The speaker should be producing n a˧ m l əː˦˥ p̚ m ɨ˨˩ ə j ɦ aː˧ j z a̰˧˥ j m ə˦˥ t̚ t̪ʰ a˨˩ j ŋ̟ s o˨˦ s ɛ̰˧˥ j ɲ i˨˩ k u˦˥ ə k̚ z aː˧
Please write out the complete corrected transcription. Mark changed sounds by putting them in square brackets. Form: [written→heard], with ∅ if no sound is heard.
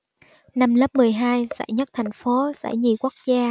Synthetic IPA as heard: n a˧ m l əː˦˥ p̚ m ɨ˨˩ ə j ɦ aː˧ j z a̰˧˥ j [m→ɲ] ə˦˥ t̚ t̪ʰ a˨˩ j ŋ̟ [s→f] o˨˦ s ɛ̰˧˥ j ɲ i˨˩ k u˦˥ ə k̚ z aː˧